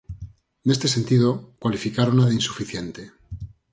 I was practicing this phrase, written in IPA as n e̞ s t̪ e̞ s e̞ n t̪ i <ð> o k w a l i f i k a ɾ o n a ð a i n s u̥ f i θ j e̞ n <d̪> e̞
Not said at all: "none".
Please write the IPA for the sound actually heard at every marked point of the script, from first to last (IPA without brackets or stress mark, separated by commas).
ð, t̪